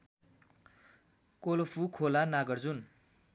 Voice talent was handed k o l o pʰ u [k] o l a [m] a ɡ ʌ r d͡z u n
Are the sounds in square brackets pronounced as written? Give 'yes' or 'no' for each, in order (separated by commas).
no, no